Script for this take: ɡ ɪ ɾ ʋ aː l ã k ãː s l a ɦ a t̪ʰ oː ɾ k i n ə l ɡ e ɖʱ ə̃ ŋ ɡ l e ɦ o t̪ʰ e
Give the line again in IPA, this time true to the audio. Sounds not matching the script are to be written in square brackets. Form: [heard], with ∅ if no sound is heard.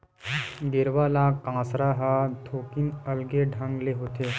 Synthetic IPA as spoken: ɡ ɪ ɾ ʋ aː l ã k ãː s [ɾ] a ɦ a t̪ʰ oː [∅] k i n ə l ɡ e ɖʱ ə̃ ŋ ɡ l e ɦ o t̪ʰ e